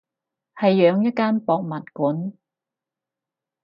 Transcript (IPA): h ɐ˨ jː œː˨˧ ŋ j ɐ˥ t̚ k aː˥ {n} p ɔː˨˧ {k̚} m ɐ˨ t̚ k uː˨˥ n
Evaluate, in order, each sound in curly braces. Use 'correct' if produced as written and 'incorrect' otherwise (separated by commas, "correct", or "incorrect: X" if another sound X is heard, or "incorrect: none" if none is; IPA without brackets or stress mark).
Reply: correct, correct